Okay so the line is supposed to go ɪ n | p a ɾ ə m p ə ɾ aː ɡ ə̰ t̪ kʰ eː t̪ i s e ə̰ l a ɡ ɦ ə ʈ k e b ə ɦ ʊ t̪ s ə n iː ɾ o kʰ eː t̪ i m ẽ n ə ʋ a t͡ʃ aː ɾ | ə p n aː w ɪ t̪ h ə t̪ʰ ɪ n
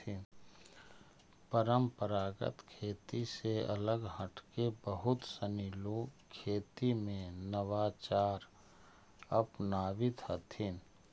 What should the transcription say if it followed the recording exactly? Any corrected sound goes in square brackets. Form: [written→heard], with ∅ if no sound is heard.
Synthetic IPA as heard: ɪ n | p [a→ə] ɾ ə m p ə ɾ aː ɡ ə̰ t̪ kʰ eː t̪ i s e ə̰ l [a→ə] ɡ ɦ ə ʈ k e b ə ɦ ʊ t̪ s ə n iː [ɾ→l] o kʰ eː t̪ i m ẽ n ə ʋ a t͡ʃ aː ɾ | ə p n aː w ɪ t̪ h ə t̪ʰ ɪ n